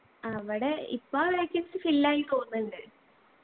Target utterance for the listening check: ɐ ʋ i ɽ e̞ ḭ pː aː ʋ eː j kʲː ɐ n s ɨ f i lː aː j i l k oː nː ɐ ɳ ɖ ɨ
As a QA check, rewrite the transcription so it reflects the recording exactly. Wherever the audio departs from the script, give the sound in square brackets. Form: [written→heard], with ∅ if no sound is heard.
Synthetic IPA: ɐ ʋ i ɽ e̞ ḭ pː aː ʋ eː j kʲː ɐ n s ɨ f i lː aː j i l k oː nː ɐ ɳ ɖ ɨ

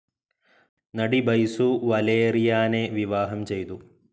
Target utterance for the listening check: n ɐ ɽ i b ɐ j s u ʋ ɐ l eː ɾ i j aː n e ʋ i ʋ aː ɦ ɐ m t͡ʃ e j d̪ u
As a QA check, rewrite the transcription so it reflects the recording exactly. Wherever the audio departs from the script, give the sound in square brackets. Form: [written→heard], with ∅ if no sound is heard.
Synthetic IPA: n ɐ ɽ i b ɐ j s u ʋ ɐ l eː ɾ i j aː n e ʋ i ʋ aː ɦ ɐ m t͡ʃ e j [d̪→t̪] u

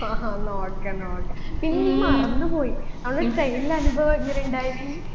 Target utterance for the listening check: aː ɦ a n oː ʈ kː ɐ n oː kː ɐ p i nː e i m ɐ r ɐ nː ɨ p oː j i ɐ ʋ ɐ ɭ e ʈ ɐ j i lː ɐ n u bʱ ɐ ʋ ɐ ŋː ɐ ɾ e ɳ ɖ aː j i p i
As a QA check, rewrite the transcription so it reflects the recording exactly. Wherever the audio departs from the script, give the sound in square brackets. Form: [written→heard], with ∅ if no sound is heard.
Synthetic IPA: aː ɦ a n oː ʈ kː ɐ n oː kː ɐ p i nː e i m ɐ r ɐ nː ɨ p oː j i ɐ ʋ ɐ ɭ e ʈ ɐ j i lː ɐ n u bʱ ɐ ʋ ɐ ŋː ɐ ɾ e ɳ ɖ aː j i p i

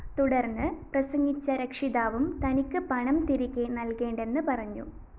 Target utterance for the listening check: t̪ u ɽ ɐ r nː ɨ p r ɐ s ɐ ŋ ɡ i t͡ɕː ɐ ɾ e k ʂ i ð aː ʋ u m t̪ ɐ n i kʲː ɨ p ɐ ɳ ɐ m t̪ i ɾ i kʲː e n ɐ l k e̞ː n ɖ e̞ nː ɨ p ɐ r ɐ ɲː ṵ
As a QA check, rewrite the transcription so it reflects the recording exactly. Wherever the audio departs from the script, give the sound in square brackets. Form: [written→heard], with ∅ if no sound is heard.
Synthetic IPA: t̪ u ɽ ɐ r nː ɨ p r ɐ s ɐ ŋ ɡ i t͡ɕː ɐ ɾ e k ʂ i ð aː ʋ u m t̪ ɐ n i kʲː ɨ p ɐ ɳ ɐ m t̪ i ɾ i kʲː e n ɐ l k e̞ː [n→ɳ] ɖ e̞ nː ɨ p ɐ r ɐ ɲː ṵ

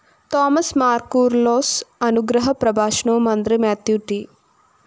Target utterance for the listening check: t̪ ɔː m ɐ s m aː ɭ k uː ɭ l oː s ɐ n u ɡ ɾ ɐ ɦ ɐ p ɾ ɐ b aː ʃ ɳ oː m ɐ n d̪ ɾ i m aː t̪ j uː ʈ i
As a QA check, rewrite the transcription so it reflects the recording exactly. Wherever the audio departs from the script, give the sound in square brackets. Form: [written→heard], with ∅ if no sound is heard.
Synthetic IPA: t̪ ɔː m ɐ s m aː [ɭ→ɾ] k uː [ɭ→ɾ] l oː s ɐ n u ɡ ɾ ɐ ɦ ɐ p ɾ ɐ b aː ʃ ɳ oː m ɐ n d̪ ɾ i m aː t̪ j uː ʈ i

